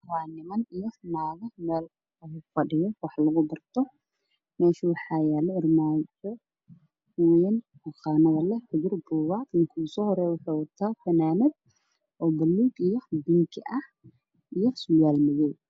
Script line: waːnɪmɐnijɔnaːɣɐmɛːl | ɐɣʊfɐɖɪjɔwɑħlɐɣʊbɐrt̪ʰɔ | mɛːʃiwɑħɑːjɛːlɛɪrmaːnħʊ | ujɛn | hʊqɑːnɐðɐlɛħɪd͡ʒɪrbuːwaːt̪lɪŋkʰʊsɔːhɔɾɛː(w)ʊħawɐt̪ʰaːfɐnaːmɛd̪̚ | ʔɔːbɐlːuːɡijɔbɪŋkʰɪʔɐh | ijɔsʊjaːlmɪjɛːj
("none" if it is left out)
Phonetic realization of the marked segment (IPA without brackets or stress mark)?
w